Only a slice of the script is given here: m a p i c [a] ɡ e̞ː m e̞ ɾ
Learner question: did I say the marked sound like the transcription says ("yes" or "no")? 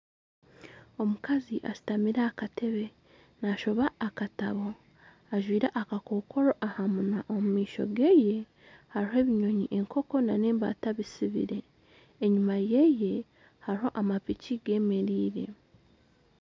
no